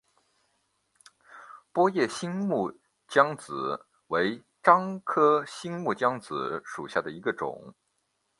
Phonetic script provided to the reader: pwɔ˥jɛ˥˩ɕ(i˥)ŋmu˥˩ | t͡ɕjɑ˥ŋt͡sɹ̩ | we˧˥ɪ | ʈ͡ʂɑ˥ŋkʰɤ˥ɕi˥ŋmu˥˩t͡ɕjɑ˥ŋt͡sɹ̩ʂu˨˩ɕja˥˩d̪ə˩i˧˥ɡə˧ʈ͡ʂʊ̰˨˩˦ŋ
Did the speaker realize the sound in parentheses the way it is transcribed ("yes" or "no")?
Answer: yes